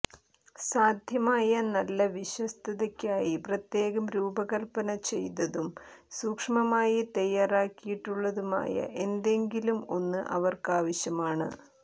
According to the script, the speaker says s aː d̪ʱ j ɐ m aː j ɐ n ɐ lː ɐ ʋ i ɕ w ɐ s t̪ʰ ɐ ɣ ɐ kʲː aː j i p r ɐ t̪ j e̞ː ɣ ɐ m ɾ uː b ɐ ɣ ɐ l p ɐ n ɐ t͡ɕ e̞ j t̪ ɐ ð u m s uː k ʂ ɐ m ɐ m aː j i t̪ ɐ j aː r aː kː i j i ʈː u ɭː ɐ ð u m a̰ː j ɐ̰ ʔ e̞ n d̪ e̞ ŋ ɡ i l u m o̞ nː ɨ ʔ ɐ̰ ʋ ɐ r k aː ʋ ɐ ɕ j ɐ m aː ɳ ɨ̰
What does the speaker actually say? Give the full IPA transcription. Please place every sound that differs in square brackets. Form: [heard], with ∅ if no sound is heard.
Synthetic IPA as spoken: s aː d̪ʱ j ɐ m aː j ɐ n ɐ lː ɐ ʋ i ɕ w ɐ s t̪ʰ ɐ [ð] ɐ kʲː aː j i p r ɐ t̪ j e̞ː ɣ ɐ m ɾ uː b ɐ ɣ ɐ l p ɐ n ɐ t͡ɕ e̞ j t̪ ɐ ð u m s uː k ʂ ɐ m ɐ m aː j i t̪ ɐ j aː r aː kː i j i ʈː u ɭː ɐ ð u m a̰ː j ɐ̰ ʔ e̞ n d̪ e̞ ŋ ɡ i l u m o̞ nː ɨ ʔ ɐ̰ ʋ ɐ r k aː ʋ ɐ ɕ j ɐ m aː ɳ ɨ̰